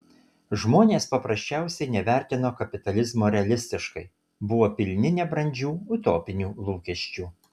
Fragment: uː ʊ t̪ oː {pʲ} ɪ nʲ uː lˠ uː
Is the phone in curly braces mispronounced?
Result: no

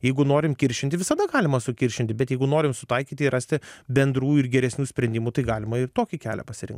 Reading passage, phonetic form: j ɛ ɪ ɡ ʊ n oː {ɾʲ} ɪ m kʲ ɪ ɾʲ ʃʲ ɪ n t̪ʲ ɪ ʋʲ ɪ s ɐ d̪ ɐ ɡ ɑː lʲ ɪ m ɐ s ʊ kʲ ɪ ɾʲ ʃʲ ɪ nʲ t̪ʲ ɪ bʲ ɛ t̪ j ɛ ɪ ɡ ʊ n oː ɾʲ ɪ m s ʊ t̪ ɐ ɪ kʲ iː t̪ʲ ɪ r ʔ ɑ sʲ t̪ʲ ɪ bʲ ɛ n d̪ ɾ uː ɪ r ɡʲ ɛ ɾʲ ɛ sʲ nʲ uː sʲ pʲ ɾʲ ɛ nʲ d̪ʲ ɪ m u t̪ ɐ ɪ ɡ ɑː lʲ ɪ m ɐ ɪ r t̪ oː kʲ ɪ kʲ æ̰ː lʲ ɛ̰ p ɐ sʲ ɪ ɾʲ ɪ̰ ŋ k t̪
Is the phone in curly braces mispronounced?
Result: no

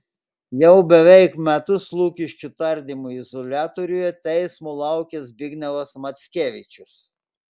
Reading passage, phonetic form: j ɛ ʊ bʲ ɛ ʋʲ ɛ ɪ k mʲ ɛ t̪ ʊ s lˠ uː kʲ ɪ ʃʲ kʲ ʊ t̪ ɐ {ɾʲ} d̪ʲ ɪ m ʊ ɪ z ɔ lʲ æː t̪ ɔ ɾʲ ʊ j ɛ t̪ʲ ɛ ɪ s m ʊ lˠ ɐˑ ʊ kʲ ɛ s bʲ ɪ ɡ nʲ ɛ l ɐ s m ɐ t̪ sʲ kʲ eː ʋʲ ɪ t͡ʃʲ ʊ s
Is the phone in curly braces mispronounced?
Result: no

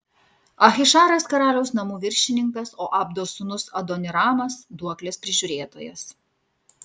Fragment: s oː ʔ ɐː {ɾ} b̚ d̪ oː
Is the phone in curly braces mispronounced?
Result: yes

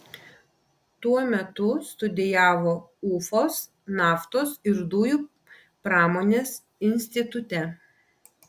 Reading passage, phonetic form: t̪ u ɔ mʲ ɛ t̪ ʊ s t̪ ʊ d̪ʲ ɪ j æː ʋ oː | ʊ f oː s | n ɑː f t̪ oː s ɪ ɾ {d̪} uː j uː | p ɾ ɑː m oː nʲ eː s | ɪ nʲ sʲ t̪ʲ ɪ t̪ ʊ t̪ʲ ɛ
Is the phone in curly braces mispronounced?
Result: no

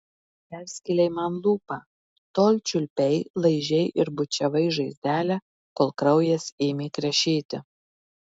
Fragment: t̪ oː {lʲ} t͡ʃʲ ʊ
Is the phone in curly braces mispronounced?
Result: no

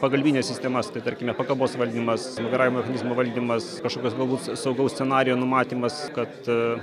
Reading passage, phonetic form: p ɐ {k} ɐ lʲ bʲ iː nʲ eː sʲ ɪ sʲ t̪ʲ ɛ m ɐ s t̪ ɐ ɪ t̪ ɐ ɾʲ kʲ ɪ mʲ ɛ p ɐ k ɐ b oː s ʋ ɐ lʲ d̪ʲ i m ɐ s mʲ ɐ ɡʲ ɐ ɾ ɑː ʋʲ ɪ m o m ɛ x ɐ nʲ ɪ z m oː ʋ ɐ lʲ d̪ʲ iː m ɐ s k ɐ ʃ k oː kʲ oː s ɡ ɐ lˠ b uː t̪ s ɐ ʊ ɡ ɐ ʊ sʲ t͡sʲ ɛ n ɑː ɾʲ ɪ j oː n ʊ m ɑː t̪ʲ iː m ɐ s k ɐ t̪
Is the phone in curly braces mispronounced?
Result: yes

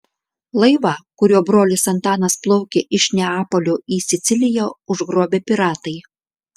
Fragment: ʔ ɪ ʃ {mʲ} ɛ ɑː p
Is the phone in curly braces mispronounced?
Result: yes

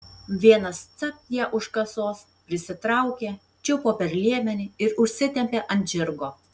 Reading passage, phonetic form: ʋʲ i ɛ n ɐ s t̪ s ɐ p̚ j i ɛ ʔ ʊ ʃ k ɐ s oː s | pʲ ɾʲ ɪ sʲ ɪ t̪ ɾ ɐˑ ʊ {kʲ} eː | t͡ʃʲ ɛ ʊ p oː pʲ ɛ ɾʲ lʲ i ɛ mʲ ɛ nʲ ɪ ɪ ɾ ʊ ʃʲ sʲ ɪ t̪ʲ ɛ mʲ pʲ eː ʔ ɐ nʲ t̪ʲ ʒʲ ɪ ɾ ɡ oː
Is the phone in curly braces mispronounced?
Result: no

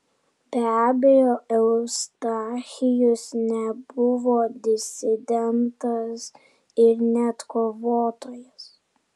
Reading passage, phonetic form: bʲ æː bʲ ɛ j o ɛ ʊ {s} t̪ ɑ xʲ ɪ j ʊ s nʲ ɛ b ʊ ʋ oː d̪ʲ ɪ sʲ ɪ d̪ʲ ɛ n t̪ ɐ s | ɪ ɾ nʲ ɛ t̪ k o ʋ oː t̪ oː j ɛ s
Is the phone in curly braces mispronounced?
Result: no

